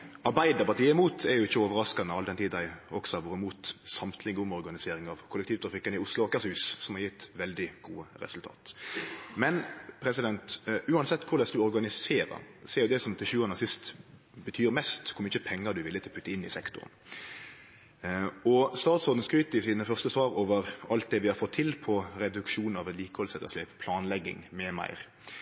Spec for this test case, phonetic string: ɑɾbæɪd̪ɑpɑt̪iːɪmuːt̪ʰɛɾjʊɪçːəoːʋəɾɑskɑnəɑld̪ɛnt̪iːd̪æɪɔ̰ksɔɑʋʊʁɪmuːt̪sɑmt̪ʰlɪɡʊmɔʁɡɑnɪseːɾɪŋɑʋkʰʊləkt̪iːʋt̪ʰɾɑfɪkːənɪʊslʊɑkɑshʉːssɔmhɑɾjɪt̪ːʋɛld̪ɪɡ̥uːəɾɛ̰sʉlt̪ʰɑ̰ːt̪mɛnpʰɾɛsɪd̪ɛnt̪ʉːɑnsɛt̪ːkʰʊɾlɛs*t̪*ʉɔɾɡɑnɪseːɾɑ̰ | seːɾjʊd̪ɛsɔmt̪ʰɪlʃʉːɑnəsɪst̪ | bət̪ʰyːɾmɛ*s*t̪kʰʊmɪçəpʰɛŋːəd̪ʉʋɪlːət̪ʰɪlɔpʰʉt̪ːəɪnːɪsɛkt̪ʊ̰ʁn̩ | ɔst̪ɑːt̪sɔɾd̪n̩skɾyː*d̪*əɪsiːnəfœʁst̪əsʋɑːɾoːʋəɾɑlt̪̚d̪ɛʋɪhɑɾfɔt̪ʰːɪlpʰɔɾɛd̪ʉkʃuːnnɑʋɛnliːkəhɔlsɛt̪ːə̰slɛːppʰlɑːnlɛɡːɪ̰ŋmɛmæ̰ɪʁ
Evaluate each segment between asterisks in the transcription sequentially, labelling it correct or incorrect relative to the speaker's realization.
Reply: incorrect, correct, incorrect

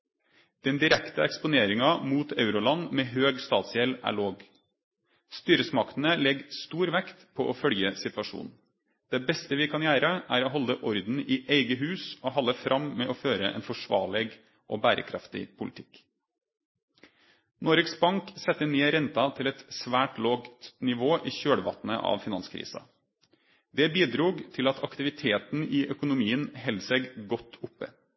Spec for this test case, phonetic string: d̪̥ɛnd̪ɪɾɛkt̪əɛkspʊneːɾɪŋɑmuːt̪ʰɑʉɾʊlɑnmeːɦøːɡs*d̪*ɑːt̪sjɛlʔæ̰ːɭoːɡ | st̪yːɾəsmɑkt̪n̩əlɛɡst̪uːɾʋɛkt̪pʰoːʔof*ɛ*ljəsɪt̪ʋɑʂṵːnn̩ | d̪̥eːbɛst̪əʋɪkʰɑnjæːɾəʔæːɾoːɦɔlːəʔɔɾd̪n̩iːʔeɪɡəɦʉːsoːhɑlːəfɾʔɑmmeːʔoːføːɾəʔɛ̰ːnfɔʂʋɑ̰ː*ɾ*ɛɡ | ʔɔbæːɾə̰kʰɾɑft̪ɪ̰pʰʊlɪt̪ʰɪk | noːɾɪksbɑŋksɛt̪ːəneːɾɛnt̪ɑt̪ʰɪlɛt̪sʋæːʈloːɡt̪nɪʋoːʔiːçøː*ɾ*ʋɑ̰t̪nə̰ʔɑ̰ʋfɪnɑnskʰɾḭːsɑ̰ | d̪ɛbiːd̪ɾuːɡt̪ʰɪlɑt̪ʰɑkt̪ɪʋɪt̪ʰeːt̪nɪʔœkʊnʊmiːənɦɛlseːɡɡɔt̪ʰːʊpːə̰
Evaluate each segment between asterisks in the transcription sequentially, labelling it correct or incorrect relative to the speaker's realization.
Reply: incorrect, incorrect, incorrect, incorrect

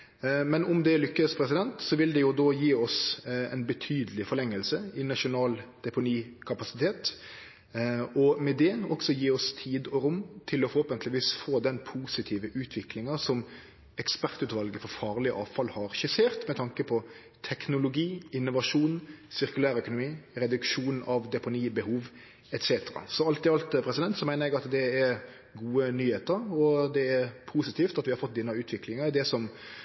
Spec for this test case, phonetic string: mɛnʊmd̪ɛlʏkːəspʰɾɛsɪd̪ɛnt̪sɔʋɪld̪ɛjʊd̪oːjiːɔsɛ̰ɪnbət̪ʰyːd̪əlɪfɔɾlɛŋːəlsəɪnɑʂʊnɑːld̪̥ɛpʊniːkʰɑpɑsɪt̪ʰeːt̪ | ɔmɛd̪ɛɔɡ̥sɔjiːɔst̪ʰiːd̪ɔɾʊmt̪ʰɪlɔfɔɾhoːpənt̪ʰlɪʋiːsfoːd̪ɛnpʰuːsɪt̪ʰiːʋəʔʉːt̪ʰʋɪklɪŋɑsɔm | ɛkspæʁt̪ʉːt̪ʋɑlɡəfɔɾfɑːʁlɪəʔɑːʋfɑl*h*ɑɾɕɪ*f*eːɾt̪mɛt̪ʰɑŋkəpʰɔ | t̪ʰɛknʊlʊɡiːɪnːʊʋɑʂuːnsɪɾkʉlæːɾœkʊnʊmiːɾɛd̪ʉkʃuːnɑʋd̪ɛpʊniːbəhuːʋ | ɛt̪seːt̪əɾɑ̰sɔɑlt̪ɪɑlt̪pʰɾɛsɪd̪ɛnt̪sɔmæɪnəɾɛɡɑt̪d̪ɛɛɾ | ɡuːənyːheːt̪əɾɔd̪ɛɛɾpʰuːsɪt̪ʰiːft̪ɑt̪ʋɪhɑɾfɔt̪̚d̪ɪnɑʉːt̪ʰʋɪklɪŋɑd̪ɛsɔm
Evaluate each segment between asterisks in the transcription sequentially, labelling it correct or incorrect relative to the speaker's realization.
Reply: correct, incorrect

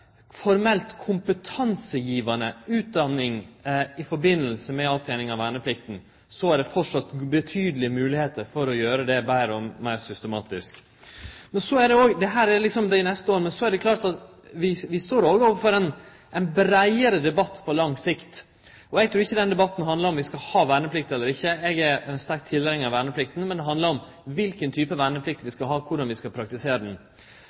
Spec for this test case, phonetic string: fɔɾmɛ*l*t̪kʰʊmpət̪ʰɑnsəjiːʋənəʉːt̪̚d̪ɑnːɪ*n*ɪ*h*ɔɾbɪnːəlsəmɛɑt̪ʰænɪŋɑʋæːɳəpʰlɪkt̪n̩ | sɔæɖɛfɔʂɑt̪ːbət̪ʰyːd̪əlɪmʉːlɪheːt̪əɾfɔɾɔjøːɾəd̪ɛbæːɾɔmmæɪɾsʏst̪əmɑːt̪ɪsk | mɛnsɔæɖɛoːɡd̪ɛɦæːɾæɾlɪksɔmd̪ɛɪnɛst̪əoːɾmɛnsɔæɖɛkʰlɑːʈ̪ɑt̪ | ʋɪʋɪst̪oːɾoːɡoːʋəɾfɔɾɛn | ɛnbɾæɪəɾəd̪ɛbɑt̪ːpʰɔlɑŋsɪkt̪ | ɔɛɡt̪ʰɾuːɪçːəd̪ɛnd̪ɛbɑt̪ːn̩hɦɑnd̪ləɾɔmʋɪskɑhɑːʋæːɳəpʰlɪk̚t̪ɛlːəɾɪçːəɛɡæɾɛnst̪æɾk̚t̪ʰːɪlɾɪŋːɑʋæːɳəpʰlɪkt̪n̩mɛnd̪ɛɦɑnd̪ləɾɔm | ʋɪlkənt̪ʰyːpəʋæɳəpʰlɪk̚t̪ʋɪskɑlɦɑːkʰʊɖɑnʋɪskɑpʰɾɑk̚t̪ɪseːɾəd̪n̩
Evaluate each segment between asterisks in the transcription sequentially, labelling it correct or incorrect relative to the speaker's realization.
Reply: correct, incorrect, incorrect

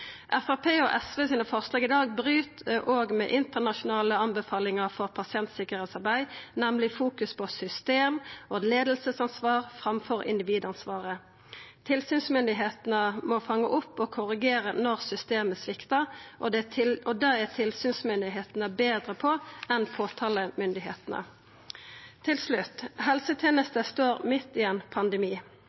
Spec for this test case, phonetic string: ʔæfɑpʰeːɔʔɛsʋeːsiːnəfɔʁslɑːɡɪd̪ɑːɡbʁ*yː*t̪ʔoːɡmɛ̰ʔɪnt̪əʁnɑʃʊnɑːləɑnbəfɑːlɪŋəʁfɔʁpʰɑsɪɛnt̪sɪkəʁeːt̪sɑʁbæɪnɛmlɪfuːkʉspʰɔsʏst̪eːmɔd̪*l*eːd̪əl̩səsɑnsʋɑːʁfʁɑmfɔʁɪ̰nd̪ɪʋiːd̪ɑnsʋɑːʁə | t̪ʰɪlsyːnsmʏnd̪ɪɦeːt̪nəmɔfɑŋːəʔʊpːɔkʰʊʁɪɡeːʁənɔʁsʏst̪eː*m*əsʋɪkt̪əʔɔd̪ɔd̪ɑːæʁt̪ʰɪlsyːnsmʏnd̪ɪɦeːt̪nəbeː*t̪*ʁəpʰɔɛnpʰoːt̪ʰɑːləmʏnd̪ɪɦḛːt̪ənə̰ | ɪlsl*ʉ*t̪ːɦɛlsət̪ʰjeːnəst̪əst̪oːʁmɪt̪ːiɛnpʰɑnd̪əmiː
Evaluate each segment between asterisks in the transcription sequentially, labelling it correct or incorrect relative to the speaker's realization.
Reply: correct, correct, correct, incorrect, correct

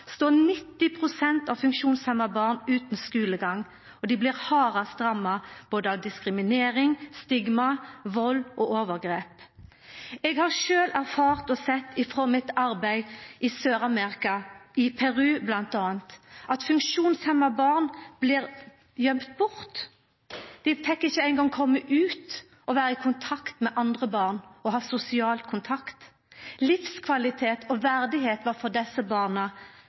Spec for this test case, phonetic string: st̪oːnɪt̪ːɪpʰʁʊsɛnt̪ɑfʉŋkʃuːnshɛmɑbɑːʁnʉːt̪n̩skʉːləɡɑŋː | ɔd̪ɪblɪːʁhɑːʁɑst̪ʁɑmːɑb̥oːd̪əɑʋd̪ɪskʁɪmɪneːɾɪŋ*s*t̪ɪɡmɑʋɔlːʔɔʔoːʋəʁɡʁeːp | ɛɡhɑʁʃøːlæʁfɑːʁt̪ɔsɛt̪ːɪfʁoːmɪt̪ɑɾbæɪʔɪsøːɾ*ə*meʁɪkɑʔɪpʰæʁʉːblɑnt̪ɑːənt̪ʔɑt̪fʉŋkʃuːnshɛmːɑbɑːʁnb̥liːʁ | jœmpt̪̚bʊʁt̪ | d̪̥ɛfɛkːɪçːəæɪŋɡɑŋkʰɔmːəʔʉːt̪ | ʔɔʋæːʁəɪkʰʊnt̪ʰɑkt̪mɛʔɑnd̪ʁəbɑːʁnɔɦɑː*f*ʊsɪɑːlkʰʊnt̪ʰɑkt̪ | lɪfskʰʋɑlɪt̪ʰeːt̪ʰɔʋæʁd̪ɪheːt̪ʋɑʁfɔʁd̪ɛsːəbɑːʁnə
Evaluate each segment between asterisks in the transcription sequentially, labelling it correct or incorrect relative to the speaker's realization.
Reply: correct, incorrect, incorrect

